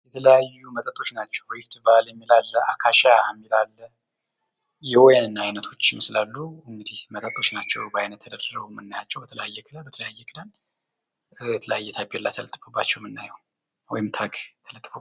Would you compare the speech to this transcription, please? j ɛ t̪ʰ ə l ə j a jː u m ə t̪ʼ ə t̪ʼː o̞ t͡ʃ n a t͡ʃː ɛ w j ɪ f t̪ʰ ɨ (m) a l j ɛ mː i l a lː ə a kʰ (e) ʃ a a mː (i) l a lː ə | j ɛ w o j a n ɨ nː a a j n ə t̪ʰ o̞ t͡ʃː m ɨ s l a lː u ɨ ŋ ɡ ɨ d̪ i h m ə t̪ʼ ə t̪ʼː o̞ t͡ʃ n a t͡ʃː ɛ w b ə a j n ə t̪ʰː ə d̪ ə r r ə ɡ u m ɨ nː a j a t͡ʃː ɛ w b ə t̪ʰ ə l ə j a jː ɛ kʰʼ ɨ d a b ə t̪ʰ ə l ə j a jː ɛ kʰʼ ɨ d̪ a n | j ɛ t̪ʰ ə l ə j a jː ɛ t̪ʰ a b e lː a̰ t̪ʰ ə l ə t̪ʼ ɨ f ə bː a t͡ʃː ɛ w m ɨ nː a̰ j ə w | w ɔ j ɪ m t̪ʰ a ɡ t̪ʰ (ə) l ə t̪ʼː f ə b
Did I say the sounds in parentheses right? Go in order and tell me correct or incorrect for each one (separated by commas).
incorrect, incorrect, correct, correct